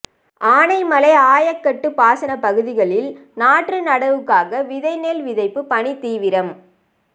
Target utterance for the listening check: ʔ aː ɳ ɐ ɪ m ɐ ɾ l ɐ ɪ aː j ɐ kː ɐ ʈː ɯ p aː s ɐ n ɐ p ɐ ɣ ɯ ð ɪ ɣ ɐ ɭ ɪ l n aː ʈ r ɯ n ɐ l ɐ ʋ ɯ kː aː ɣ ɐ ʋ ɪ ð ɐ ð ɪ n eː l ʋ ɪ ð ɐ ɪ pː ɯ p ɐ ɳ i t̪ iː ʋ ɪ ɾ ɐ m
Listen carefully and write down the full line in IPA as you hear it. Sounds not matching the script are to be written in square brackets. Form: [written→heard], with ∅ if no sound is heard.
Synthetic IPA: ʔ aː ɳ ɐ ɪ m ɐ [ɾ→∅] l ɐ ɪ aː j ɐ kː ɐ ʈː ɯ p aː s ɐ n ɐ p ɐ ɣ ɯ ð ɪ ɣ ɐ ɭ ɪ l n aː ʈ r ɯ n ɐ [l→ɽ] ɐ ʋ ɯ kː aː ɣ ɐ ʋ ɪ ð ɐ [ð→∅] ɪ n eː l ʋ ɪ ð ɐ ɪ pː ɯ p ɐ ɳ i t̪ iː ʋ ɪ ɾ ɐ m